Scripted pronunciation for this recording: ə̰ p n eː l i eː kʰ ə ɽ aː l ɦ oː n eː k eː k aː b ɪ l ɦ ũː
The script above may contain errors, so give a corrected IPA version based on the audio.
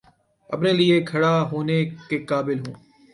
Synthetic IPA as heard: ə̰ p n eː l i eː kʰ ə ɽ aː ɦ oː n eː k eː k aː b ɪ l ɦ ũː